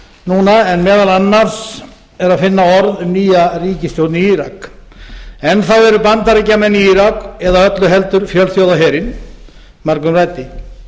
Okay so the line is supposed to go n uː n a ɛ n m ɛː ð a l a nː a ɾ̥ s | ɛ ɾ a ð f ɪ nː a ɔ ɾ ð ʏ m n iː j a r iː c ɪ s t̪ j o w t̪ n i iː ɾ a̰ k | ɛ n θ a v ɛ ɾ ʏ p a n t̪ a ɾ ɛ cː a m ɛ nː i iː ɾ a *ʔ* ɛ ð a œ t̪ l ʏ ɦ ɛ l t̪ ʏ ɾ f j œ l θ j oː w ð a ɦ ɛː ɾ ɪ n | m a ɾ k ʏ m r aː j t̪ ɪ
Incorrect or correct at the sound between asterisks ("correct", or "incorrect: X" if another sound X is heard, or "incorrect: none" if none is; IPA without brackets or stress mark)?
incorrect: k